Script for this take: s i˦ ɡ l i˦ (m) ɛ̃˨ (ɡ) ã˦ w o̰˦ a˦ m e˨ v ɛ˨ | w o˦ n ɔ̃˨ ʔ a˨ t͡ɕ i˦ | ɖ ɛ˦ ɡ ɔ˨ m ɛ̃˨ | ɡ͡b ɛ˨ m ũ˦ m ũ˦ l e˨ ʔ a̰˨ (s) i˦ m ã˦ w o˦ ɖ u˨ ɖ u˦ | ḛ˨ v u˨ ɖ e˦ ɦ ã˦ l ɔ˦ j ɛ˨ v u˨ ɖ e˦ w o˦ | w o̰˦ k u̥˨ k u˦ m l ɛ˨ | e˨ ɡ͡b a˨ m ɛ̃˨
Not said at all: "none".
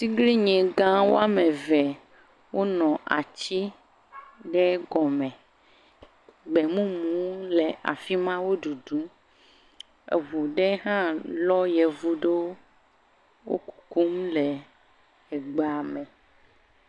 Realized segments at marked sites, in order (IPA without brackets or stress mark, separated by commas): ɲ, ɡ, f